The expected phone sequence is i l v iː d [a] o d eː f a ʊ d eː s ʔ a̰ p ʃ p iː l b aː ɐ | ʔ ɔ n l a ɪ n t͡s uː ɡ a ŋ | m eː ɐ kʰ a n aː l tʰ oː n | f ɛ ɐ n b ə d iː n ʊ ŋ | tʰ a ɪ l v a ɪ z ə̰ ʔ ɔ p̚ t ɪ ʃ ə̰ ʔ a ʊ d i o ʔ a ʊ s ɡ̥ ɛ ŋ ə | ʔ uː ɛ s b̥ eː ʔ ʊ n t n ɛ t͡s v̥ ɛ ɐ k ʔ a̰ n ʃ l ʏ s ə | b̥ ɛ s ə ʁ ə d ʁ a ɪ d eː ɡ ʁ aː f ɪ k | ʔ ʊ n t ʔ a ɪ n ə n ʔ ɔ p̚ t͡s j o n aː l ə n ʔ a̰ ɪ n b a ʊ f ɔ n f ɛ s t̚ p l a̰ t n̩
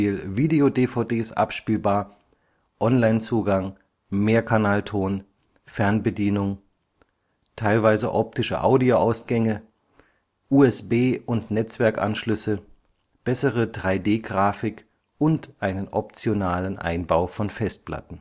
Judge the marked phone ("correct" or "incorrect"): incorrect